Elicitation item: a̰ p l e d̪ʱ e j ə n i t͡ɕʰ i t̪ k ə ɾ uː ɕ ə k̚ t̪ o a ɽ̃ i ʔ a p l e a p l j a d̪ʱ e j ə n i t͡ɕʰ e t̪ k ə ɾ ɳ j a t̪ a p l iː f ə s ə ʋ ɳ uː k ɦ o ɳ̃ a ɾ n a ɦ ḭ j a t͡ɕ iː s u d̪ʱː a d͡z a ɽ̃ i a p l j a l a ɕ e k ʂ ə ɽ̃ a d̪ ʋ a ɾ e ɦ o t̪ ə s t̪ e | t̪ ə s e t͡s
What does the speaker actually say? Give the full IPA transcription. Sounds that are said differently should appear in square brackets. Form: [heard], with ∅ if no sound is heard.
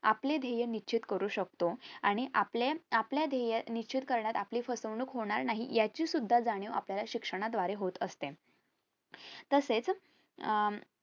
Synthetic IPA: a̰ p l e d̪ʱ e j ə n i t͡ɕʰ i t̪ k ə ɾ uː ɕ ə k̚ t̪ o a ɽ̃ i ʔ a p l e a p l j a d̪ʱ e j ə n i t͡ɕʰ [i] t̪ k ə ɾ ɳ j a t̪ a p l iː f ə s ə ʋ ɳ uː k ɦ o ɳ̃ a ɾ n a ɦ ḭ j a t͡ɕ iː s u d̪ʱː a d͡z a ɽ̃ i a p l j a l a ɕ [i] k ʂ ə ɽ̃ a d̪ ʋ a ɾ e ɦ o t̪ ə s t̪ e | t̪ ə s e t͡s